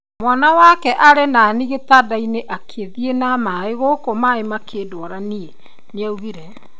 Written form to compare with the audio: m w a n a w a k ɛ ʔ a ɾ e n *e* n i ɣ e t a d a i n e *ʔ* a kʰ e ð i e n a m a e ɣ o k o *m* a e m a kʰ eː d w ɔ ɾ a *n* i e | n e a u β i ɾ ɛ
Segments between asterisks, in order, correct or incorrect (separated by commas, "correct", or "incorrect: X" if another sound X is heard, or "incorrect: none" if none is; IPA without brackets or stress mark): incorrect: a, correct, correct, correct